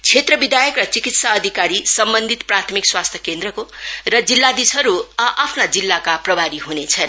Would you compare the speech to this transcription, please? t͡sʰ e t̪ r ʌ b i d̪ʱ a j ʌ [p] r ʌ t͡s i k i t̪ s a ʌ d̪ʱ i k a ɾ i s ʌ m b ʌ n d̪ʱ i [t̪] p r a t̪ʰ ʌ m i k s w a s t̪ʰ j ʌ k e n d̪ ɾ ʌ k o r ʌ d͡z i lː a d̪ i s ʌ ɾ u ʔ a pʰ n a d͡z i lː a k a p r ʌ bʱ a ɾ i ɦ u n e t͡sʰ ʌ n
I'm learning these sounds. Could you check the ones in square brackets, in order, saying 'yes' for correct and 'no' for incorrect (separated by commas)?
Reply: no, yes